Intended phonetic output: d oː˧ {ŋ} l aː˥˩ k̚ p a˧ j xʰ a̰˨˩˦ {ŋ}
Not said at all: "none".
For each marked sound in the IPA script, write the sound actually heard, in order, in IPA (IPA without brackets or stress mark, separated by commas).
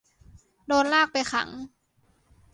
n, ŋ